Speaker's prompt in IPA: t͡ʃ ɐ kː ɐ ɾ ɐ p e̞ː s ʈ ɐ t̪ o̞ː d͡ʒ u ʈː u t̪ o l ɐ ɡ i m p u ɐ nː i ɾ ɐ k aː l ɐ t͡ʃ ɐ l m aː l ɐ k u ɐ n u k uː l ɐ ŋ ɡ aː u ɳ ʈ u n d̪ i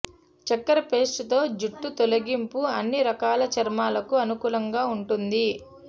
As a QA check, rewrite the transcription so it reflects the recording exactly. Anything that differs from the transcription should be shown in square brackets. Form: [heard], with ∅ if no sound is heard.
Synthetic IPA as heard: t͡ʃ ɐ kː ɐ ɾ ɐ p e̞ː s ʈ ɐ t̪ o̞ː d͡ʒ u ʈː u t̪ o l ɐ ɡ i m p u ɐ nː i ɾ ɐ k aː l ɐ t͡ʃ ɐ [ɾ] m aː l ɐ k u ɐ n u k uː l ɐ ŋ ɡ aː u ɳ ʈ u n d̪ i